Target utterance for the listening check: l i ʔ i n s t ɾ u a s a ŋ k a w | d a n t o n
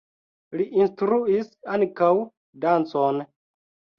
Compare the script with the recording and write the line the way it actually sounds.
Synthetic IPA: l i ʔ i n s t ɾ u i s a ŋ k a w | d a n t͡s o n